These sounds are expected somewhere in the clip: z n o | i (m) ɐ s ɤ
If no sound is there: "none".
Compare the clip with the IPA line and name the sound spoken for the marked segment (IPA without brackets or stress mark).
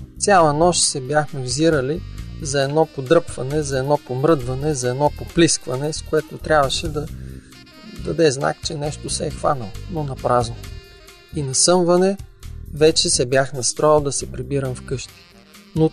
n